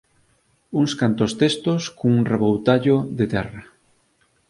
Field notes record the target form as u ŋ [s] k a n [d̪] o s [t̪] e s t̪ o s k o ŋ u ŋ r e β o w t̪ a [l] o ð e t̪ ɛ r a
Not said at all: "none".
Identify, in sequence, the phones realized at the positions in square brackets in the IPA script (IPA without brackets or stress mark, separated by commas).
s, t̪, t̪, ʎ